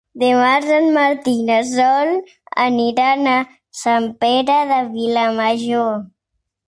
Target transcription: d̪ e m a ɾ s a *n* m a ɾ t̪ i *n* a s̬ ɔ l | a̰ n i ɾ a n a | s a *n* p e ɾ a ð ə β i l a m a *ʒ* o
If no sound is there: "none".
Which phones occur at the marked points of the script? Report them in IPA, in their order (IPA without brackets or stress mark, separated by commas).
n, n, m, ʒ